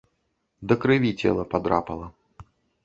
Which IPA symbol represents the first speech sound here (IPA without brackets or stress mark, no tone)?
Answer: d̪